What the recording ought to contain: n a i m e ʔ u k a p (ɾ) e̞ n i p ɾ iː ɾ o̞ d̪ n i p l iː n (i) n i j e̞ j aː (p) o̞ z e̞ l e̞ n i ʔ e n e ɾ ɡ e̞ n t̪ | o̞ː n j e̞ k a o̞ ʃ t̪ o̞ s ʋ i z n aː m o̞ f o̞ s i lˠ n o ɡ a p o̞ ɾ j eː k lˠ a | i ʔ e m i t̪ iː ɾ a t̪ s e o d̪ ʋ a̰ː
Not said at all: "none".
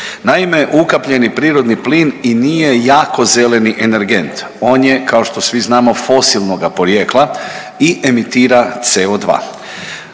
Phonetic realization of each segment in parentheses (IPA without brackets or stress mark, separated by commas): ʎ, i, k